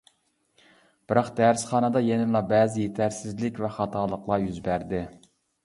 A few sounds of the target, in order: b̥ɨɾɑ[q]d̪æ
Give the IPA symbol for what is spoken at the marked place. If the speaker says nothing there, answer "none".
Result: q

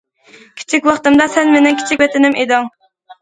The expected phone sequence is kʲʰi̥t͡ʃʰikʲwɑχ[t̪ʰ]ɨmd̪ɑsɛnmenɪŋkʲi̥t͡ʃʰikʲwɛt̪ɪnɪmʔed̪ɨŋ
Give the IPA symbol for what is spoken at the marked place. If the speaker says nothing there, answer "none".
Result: t̪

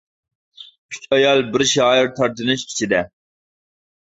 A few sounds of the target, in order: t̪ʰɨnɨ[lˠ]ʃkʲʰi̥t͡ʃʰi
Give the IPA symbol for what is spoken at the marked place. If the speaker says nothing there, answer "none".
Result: none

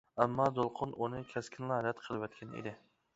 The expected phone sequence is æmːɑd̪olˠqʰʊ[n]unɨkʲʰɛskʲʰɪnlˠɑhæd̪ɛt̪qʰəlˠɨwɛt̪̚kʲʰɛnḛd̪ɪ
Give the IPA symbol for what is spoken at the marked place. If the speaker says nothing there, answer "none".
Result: n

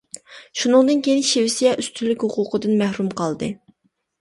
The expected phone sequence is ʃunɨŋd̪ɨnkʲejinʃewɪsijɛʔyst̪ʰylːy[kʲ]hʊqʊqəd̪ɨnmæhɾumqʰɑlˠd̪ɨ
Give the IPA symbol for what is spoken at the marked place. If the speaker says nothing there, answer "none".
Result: kʲ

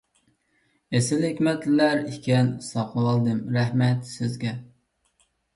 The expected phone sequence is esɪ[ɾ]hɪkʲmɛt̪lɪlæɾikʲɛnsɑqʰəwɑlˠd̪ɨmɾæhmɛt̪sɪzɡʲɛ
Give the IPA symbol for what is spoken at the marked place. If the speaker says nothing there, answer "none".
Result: l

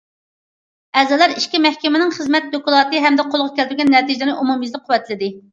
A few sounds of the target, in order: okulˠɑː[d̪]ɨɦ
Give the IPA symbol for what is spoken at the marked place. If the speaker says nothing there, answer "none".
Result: t̪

